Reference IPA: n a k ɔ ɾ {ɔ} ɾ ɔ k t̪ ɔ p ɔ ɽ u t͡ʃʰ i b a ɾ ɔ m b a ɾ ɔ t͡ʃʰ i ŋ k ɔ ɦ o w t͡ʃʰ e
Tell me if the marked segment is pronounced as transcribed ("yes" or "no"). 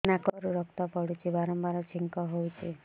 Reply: no